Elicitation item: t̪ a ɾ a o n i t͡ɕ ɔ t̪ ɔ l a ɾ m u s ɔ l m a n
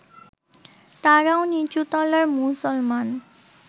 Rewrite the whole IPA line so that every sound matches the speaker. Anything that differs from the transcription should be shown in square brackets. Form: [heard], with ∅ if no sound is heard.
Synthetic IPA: t̪ a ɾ a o n i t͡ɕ [u] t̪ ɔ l a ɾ m u s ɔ l m a n